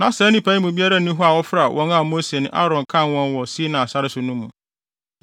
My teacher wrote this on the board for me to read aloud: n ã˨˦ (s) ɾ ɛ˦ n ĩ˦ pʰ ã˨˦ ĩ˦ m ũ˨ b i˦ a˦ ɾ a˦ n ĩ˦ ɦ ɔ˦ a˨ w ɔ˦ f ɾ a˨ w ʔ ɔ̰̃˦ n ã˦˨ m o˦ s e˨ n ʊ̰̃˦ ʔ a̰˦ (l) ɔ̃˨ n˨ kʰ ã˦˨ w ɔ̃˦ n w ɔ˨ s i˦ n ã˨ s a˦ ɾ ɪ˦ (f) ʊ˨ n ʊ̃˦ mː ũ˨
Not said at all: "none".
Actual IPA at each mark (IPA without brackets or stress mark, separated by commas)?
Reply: s, ɾ, s